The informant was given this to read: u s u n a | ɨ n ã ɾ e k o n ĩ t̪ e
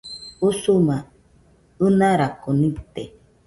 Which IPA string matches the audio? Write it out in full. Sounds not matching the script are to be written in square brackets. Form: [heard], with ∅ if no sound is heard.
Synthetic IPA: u s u [m] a | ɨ n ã ɾ [a] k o n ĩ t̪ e